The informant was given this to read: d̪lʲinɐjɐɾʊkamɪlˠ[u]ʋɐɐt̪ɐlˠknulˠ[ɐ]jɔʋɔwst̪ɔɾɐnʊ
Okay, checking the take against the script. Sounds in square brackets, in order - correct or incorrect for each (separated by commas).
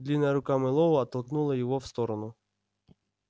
incorrect, correct